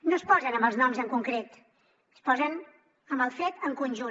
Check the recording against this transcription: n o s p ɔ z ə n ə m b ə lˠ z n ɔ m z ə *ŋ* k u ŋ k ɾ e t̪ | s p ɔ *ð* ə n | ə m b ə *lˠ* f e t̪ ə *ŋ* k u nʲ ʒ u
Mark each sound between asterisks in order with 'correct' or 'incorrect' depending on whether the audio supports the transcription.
correct, incorrect: z, correct, correct

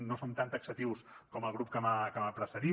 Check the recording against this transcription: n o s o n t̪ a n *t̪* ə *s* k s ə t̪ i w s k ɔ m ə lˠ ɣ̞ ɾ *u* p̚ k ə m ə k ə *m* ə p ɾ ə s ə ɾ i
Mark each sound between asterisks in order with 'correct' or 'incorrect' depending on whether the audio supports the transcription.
correct, incorrect: none, correct, correct

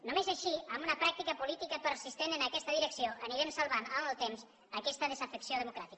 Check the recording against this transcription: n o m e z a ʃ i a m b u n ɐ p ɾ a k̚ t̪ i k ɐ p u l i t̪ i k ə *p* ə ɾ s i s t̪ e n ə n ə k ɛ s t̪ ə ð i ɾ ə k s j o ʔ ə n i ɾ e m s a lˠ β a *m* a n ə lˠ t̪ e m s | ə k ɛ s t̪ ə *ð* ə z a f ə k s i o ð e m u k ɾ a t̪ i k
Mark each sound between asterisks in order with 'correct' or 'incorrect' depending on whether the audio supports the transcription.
correct, incorrect: n, correct

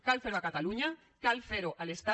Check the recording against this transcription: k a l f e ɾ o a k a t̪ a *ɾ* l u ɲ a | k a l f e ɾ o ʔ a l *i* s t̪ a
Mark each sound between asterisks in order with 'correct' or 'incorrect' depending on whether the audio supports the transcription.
incorrect: none, incorrect: e

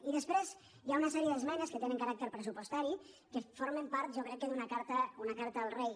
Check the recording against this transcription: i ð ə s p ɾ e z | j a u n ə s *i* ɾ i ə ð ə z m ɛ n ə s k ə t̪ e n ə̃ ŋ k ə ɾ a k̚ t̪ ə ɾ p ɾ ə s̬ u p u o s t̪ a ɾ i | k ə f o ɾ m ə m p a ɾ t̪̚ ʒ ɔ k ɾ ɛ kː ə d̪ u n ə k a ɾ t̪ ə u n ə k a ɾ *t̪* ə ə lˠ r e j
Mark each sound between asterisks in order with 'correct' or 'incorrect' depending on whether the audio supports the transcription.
incorrect: ɛ, correct

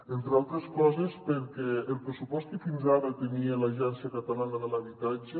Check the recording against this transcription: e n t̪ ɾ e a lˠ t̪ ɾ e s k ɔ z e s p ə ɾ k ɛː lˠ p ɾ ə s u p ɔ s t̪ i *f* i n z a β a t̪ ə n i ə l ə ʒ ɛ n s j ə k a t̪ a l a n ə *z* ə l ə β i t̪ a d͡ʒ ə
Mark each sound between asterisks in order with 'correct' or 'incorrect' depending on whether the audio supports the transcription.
correct, incorrect: ð

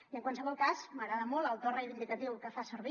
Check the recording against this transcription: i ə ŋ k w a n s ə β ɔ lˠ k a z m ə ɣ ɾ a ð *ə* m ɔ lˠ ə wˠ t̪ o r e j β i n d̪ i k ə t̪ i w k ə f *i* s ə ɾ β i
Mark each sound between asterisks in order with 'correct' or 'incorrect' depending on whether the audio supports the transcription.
correct, incorrect: a

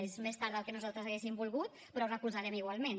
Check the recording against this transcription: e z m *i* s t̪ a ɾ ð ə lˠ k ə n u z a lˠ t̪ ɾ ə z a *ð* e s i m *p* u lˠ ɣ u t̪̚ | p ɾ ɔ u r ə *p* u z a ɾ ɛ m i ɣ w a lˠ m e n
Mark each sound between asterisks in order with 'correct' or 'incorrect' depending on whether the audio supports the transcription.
incorrect: e, incorrect: ɣ, incorrect: b, incorrect: k

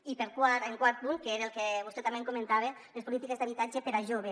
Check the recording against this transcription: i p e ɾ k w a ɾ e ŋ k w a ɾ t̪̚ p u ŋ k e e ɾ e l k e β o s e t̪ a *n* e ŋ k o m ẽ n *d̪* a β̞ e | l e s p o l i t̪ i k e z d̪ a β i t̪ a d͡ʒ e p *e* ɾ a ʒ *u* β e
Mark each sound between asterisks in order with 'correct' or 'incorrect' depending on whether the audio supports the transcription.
incorrect: m, incorrect: t̪, correct, incorrect: o

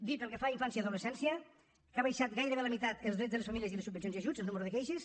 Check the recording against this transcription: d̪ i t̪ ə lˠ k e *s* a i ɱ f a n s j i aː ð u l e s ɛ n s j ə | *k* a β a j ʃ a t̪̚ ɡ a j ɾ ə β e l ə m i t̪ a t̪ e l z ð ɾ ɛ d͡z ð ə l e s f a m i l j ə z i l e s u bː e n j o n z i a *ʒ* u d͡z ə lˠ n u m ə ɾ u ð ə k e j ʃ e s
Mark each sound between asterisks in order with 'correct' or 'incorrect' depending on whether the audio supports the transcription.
incorrect: f, correct, correct

